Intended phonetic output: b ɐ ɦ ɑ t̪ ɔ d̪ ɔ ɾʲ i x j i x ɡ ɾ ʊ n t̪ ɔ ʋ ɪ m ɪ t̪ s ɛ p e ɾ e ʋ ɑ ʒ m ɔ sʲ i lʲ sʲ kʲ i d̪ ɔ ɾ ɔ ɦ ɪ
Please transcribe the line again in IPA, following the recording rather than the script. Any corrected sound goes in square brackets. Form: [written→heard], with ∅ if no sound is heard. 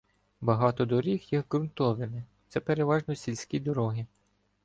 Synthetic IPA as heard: b ɐ ɦ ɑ t̪ ɔ d̪ ɔ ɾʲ i x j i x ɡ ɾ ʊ n t̪ ɔ ʋ ɪ m ɪ t̪ s ɛ p e ɾ e ʋ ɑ ʒ [m→n] ɔ sʲ i lʲ sʲ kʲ i d̪ ɔ ɾ ɔ ɦ ɪ